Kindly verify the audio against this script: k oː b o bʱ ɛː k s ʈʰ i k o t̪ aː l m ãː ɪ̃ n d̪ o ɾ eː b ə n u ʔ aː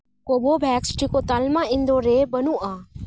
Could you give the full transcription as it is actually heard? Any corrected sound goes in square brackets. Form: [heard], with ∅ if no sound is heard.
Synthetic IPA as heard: k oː b o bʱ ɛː k s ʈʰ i k o t̪ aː l m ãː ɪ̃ n d̪ o ɾ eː b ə n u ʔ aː